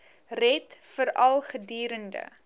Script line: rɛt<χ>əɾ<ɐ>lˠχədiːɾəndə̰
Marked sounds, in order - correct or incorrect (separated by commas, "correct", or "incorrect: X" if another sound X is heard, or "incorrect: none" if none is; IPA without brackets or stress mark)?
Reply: incorrect: f, correct